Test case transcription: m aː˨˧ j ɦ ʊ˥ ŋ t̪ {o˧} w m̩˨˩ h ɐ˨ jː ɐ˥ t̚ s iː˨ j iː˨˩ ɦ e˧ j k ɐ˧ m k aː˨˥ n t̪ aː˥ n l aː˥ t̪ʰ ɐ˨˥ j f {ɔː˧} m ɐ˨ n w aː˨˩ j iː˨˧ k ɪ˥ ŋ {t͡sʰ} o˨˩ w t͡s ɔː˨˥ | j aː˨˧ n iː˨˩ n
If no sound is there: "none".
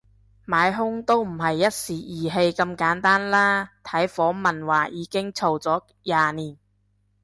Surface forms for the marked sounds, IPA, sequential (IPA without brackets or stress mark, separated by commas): o˥, ɔː˨˥, t͡sʰ